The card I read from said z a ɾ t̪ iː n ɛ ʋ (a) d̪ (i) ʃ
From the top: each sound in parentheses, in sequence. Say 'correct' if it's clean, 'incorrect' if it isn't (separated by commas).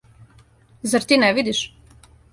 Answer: incorrect, correct